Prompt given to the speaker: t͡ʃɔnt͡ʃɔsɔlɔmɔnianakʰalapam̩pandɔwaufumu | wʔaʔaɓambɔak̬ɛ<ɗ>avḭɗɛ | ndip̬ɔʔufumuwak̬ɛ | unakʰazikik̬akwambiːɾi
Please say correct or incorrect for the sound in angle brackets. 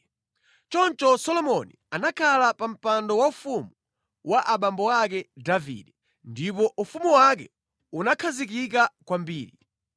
incorrect